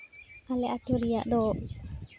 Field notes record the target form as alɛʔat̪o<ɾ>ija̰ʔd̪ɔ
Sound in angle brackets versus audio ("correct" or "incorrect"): correct